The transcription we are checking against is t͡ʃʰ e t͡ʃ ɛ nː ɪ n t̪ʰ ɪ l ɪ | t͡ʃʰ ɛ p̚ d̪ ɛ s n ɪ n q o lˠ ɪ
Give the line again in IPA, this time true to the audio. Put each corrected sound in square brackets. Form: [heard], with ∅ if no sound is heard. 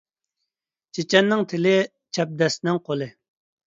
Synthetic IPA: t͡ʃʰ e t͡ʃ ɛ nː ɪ [ŋ] t̪ʰ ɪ l ɪ | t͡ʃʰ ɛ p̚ d̪ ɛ s n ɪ [ŋ] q o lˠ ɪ